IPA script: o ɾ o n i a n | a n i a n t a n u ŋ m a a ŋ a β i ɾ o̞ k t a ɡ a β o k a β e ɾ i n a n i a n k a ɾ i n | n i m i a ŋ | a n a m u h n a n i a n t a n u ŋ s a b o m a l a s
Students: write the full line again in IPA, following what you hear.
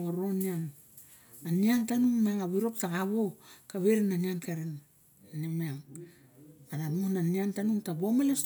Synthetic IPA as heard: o ɾ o n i a n | a n i a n t a n u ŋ m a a ŋ a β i ɾ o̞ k t a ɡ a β o k a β e ɾ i n a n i a n k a ɾ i n | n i m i a ŋ | a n a m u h n a n i a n t a n u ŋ t a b o m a l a s